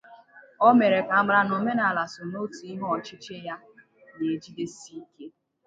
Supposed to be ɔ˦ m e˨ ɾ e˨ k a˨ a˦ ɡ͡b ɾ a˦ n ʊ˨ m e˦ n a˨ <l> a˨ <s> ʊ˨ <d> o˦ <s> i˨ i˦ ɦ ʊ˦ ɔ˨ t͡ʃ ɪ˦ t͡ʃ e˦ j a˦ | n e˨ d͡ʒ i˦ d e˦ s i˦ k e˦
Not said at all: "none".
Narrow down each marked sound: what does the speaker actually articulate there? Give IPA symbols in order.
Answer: l, s, n, t

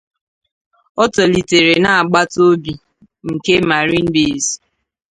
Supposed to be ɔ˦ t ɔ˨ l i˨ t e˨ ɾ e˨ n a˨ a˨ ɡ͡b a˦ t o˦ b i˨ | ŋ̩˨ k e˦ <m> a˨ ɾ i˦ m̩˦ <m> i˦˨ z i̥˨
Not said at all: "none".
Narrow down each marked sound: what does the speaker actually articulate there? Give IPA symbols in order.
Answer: m, b

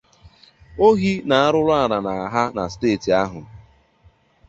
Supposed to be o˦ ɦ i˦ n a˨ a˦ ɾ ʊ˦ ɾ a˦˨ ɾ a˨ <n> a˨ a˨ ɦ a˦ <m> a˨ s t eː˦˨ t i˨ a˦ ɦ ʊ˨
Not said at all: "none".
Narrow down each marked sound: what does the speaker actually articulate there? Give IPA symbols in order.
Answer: n, n

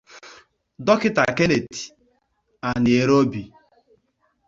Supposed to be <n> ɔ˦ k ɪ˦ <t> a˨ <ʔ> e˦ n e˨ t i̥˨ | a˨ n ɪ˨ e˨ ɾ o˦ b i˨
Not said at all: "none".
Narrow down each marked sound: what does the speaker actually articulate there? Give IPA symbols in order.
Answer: d, t, k

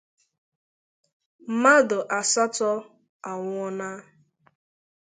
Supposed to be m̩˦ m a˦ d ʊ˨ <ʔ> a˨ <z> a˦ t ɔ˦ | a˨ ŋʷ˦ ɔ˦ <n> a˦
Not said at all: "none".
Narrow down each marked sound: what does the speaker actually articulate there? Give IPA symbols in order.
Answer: ʔ, s, n

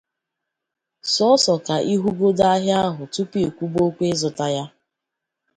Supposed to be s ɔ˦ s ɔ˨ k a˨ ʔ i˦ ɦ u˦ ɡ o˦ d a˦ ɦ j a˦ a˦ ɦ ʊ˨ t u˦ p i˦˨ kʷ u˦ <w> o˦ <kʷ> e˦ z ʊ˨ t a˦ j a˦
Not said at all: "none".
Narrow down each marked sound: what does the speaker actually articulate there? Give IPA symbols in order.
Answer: b, kʷ

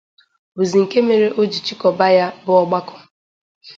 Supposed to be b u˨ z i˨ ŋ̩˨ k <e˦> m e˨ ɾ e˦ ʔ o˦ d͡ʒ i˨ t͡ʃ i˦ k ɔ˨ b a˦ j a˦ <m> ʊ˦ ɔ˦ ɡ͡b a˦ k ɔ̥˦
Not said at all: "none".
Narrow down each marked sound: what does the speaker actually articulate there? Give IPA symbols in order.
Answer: e˦, b

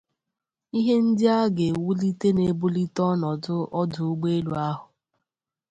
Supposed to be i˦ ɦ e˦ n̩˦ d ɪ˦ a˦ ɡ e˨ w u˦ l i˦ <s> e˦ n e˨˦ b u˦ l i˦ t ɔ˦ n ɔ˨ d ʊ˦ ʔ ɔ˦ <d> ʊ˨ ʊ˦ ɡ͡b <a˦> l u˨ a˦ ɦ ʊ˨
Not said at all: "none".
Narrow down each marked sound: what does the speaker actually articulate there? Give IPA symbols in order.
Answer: t, d, e˦

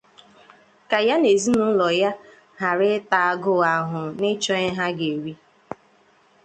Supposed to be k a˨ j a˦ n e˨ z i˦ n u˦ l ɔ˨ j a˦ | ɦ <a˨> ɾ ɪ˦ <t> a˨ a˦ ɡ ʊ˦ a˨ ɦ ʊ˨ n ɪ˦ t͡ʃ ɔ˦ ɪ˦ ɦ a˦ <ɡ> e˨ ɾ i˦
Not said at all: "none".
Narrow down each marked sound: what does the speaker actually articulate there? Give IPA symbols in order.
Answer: a˨, t, ɡ

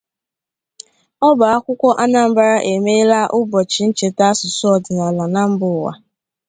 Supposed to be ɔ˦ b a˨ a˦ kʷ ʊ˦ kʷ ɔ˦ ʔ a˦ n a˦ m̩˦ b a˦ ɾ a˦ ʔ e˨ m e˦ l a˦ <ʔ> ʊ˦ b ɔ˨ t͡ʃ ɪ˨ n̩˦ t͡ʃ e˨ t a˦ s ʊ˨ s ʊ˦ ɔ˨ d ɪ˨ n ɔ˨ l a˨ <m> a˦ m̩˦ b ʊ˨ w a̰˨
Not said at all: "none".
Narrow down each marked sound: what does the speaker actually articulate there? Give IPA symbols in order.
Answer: ʔ, n

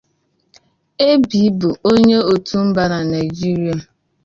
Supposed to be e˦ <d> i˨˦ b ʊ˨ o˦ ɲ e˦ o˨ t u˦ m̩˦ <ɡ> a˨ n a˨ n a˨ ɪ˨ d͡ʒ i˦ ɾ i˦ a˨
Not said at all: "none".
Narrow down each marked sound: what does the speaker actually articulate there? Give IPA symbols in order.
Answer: b, b

